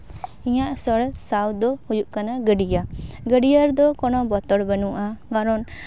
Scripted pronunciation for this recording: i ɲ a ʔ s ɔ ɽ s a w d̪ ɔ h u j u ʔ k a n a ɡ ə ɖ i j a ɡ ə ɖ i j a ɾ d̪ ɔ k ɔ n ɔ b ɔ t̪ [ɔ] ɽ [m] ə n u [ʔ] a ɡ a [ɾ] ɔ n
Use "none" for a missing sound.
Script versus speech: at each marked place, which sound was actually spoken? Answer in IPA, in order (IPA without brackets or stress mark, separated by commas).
ɔ, b, ʔ, ɾ